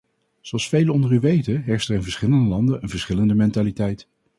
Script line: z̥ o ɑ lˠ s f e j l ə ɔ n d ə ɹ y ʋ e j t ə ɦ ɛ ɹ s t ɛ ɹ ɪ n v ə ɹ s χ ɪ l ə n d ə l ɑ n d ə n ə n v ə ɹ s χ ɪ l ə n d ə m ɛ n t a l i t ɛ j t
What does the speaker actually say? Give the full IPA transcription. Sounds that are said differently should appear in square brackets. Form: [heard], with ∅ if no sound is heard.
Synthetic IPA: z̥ o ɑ lˠ s f e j l ə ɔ n d ə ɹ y ʋ e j t ə ɦ ɛ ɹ s t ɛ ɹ ɪ n v ə ɹ s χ ɪ l ə n d ə l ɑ n d ə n ə n v ə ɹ s χ ɪ l ə n d ə m ɛ n t a l i t ɛ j t